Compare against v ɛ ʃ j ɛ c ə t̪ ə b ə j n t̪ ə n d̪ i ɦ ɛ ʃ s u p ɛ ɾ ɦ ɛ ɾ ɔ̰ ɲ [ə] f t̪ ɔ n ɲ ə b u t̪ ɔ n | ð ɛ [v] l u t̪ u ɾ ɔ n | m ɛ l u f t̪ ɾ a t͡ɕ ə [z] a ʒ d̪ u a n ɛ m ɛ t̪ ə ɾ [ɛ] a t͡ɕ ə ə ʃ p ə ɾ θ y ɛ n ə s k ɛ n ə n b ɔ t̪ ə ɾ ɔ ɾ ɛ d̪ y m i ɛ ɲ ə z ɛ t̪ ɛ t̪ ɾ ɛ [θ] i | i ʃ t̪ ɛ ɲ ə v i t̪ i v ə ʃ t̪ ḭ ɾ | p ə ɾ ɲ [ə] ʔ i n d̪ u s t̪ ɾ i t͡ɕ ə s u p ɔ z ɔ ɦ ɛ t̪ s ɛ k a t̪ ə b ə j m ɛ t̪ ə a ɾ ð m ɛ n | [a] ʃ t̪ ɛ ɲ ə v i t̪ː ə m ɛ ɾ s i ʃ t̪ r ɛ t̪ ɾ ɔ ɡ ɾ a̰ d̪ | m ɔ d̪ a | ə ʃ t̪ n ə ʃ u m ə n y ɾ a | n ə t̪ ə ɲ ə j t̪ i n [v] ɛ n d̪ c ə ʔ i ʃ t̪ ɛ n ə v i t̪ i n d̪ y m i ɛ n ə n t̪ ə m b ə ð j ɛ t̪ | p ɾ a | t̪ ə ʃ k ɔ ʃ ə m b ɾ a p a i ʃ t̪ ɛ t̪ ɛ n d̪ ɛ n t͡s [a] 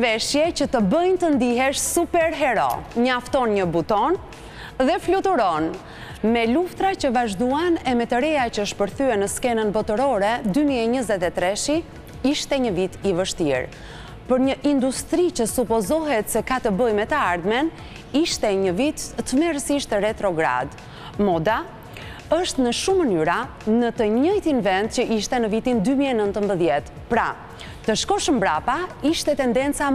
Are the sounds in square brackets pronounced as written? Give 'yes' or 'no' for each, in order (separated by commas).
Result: no, no, no, yes, no, yes, no, yes, yes